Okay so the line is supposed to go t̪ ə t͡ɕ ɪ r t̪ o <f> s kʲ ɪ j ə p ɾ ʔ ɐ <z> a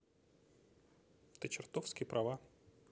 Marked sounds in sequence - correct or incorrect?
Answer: correct, incorrect: v

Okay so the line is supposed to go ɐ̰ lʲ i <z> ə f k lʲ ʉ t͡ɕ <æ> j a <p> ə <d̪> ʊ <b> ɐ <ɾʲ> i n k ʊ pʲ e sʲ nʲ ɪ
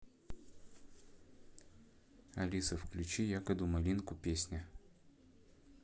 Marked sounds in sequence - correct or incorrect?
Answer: incorrect: s, incorrect: i, incorrect: k, correct, incorrect: m, incorrect: lʲ

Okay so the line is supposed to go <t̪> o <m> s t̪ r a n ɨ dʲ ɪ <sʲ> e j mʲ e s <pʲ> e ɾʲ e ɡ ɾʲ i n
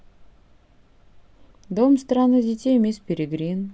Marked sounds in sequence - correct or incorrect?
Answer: incorrect: d̪, correct, incorrect: tʲ, correct

